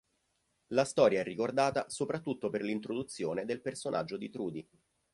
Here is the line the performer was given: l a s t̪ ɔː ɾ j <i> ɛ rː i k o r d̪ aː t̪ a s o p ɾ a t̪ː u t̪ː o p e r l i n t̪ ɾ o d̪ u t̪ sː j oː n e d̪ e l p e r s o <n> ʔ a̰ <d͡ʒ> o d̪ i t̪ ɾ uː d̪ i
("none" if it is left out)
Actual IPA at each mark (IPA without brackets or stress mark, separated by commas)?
a, n, d͡ʒː